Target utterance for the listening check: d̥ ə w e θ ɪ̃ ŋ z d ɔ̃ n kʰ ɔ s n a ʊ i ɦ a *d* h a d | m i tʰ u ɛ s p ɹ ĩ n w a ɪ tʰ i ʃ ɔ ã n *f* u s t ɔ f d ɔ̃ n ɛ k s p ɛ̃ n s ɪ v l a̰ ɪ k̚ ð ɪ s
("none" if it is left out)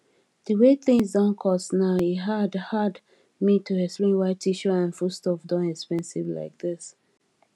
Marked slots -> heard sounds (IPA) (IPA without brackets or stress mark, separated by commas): d, f